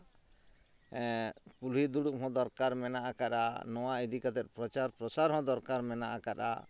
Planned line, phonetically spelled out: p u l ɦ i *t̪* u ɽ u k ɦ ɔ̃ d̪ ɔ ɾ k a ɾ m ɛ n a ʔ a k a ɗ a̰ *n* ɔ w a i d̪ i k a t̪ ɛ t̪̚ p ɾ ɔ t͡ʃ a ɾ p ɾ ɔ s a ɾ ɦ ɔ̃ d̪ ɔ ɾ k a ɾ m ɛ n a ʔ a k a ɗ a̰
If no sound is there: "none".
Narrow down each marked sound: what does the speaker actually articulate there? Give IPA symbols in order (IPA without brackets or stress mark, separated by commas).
d̪, n